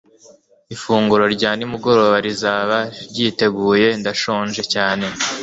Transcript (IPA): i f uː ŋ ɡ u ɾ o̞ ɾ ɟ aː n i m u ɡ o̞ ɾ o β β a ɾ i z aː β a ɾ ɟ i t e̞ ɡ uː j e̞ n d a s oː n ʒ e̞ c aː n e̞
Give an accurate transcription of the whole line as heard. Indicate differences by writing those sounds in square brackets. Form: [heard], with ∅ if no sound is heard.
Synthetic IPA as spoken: i f uː ŋ ɡ u ɾ o̞ ɾ ɟ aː n i m u ɡ o̞ ɾ o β β a ɾ i z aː β a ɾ ɟ i t e̞ ɡ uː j e̞ n d a [ʃ] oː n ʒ e̞ c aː n e̞